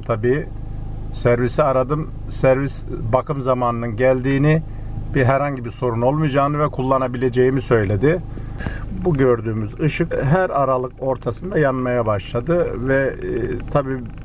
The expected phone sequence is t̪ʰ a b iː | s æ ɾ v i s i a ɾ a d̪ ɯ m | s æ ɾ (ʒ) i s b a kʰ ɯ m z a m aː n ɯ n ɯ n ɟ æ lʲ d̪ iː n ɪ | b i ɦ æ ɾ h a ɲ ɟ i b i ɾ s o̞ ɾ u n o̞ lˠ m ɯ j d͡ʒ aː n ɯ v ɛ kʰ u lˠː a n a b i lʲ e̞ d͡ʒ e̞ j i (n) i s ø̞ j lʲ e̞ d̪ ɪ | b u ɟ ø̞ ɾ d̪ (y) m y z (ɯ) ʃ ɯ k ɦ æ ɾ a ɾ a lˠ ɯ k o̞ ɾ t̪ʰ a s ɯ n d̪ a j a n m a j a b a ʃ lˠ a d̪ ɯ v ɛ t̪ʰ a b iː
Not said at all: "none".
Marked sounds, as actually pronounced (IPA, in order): v, m, yː, ɯ

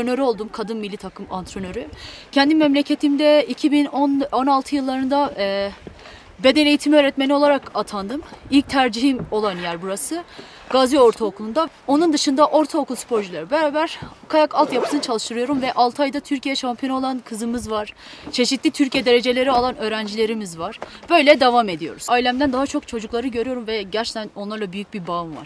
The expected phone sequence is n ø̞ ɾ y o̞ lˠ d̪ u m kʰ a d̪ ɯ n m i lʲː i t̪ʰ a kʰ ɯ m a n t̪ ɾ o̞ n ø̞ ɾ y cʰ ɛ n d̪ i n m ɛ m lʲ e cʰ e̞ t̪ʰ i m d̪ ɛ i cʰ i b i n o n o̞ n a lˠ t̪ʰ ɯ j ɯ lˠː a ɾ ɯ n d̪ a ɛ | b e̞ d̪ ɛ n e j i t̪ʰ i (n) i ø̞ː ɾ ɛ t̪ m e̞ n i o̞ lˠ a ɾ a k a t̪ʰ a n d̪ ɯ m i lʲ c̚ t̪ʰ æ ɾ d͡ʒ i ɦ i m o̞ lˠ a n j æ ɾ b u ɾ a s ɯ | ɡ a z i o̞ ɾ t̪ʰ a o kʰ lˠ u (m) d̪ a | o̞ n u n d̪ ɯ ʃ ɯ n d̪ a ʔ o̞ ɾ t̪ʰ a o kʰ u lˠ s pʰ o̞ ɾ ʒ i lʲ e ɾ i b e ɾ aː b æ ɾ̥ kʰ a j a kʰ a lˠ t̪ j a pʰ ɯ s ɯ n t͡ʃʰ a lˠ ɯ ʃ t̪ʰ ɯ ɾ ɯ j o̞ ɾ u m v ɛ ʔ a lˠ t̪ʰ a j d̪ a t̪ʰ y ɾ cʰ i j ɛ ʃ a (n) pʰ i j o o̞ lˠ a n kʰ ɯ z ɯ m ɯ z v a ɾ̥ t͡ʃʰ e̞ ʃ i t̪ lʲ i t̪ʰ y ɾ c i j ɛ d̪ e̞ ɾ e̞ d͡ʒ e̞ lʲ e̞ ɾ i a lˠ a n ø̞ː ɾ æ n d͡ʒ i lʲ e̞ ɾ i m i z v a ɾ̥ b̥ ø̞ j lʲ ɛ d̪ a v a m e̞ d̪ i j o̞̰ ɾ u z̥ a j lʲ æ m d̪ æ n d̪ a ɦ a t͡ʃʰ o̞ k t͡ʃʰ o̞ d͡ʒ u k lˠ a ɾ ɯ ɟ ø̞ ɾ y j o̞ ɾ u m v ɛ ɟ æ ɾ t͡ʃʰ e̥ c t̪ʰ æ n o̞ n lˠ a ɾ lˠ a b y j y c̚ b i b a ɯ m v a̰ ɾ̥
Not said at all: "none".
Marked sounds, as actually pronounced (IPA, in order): m, n, m

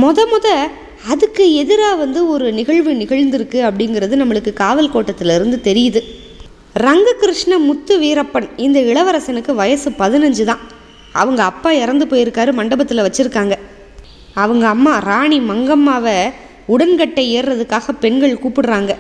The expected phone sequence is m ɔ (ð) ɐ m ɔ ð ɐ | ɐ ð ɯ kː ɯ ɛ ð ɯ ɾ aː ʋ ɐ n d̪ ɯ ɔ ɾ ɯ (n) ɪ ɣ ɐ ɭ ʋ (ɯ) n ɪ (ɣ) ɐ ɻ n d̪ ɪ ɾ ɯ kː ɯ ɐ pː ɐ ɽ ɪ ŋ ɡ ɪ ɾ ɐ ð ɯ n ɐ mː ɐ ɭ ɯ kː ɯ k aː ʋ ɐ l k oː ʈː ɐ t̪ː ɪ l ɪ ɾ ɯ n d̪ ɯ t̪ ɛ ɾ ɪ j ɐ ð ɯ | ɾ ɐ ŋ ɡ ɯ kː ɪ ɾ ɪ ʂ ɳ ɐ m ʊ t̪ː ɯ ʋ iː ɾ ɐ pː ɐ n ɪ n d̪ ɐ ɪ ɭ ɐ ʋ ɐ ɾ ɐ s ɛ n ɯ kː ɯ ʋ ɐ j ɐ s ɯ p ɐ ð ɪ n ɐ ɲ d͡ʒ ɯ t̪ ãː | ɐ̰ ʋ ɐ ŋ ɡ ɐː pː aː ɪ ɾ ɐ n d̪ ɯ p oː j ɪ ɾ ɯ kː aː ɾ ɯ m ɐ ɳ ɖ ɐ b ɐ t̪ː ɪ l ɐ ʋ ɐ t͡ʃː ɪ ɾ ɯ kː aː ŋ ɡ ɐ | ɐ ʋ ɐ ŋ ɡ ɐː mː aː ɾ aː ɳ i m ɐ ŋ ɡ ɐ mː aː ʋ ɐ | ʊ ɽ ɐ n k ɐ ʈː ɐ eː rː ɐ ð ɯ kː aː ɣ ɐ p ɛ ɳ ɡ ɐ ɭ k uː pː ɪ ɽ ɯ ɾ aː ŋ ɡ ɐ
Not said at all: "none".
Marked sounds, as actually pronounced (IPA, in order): ð, n, ɯ, ɣ

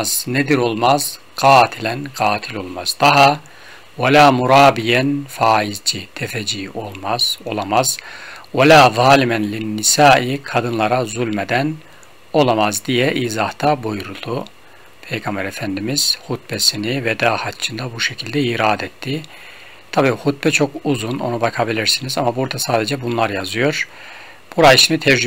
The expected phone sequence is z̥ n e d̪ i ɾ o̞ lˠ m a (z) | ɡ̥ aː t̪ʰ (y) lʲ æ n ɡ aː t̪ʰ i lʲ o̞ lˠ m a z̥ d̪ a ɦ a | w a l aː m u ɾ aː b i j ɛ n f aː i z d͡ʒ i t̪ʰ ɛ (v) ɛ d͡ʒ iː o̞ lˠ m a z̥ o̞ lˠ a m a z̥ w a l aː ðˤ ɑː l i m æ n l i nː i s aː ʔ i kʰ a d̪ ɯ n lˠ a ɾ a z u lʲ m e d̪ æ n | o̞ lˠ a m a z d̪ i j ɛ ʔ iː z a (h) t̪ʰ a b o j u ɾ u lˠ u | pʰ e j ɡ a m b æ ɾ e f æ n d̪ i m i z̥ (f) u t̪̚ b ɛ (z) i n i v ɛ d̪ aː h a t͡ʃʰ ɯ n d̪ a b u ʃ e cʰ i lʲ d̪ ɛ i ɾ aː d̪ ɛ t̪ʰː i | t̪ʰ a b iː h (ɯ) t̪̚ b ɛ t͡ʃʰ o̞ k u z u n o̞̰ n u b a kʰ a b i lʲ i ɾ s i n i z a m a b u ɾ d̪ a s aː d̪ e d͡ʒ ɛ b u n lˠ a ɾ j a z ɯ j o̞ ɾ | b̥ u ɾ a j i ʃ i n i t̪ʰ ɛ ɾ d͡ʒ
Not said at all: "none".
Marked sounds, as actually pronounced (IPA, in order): z, i, f, h, h, s, u

